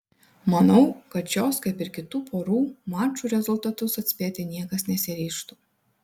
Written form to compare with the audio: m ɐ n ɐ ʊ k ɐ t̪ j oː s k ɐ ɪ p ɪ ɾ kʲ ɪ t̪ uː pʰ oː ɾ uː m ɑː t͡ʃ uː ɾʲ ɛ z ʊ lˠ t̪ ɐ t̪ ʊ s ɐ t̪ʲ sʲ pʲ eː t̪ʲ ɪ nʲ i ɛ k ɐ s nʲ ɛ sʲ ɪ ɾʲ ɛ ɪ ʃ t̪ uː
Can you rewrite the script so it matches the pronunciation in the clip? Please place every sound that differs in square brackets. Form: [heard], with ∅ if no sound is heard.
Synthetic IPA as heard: m ɐ n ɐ ʊ k ɐ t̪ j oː s k ɐ ɪ p ɪ ɾ kʲ ɪ t̪ uː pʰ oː ɾ uː m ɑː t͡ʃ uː ɾʲ ɛ z ʊ lˠ t̪ ɐ t̪ ʊ s ɐ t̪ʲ sʲ pʲ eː t̪ʲ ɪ nʲ i ɛ k ɐ s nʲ ɛ sʲ ɪ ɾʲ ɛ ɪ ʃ t̪ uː